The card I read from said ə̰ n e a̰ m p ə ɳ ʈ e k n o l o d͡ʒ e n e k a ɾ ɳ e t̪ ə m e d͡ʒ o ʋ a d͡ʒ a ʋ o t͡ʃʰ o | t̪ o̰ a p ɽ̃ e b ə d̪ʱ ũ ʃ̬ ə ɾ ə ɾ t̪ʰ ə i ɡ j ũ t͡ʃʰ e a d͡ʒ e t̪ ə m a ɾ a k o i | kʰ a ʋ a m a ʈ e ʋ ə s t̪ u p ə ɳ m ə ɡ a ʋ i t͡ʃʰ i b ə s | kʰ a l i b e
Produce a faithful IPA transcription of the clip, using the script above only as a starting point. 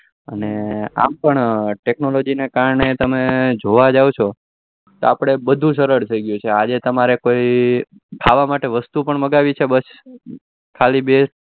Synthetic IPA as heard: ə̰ n e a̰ m p ə ɳ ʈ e k n o l o d͡ʒ i n e k a ɾ ɳ e t̪ ə m e d͡ʒ o ʋ a d͡ʒ a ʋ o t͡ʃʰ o | t̪ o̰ a p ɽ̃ e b ə d̪ʱ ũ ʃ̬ ə ɾ ə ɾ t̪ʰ ə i ɡ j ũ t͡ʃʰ e a d͡ʒ e t̪ ə m a ɾ e k o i | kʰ a ʋ a m a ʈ e ʋ ə s t̪ u p ə ɳ m ə ɡ a ʋ i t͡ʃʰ e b ə s | kʰ a l i b e